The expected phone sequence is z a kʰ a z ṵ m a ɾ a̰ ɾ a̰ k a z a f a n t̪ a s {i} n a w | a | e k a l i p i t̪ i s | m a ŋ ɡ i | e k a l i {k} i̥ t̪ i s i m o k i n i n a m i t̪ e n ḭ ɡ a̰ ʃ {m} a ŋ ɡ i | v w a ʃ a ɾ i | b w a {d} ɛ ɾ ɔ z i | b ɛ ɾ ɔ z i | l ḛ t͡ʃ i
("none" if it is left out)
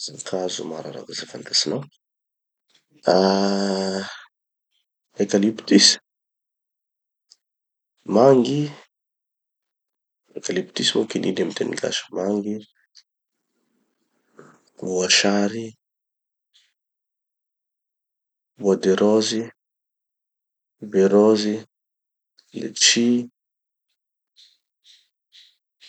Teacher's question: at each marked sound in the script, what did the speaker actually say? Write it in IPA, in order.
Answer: i, p, m, d

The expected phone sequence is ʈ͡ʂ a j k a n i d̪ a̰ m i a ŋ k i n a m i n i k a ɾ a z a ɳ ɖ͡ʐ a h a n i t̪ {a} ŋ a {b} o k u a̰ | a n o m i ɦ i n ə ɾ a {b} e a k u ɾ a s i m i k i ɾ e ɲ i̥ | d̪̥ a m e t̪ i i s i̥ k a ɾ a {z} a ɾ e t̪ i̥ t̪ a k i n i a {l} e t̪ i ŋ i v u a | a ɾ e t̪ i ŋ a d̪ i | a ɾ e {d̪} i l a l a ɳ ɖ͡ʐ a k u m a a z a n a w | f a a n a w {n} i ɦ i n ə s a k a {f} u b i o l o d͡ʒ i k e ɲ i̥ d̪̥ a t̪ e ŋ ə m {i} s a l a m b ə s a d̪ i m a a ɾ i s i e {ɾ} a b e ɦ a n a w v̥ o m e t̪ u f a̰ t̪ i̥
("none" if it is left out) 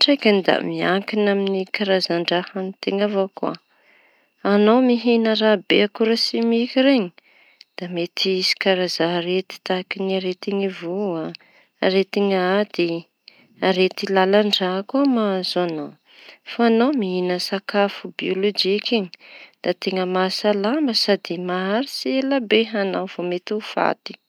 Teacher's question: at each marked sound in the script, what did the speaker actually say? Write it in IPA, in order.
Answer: e, v, b, z, ɾ, t̪, m, f, a, l

